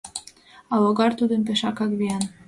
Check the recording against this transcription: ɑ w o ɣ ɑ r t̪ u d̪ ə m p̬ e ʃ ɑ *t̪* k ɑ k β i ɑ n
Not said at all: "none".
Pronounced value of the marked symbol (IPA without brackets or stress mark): none